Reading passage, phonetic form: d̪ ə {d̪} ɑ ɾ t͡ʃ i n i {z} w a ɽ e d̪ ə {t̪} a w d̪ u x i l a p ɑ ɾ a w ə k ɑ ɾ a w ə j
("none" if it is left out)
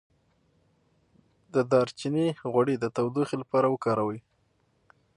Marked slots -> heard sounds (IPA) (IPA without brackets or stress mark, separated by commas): d̪, ɣ, t̪